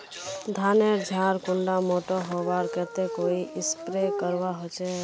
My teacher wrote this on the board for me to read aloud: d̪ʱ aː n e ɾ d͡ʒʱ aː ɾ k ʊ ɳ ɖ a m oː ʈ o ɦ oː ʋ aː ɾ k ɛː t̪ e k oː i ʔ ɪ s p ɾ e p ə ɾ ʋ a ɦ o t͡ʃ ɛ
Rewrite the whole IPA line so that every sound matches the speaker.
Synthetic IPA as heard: d̪ʱ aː n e ɾ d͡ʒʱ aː ɾ k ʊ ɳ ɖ a m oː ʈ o ɦ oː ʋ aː ɾ k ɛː t̪ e k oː i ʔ ɪ s p ɾ e k ə ɾ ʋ a ɦ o t͡ʃ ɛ